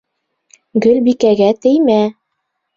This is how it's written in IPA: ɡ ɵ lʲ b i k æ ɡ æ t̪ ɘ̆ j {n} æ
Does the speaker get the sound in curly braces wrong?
yes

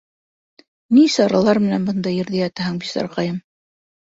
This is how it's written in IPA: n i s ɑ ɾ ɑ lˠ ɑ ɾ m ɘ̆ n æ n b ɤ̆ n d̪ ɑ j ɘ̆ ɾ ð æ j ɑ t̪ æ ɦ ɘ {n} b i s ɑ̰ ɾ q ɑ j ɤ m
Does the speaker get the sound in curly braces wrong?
yes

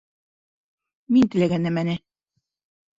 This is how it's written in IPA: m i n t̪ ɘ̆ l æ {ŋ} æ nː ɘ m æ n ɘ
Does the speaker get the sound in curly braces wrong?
yes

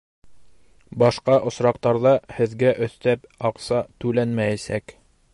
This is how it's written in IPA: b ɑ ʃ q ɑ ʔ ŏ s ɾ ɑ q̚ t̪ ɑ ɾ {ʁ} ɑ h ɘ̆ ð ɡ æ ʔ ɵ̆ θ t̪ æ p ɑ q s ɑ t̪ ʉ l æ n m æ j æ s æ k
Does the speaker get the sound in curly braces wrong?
yes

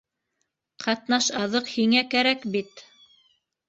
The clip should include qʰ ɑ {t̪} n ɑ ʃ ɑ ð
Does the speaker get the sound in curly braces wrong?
no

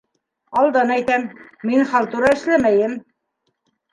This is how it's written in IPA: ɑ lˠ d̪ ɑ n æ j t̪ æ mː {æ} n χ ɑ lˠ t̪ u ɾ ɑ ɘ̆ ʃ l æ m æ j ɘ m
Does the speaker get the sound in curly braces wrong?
yes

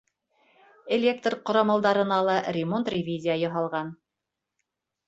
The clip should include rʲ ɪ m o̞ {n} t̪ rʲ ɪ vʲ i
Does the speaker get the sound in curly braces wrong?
no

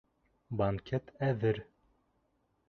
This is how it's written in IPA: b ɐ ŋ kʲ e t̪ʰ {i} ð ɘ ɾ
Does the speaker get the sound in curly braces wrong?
yes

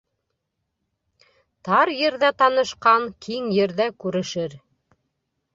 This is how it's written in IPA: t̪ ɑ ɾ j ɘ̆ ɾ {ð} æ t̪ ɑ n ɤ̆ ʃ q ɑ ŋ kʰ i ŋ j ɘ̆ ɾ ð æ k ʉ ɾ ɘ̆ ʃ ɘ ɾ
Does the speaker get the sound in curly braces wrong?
no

